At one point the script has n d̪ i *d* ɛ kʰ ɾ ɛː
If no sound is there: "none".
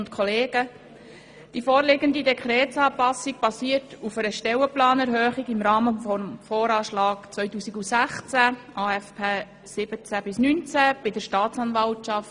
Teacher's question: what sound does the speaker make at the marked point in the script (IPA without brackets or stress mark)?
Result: d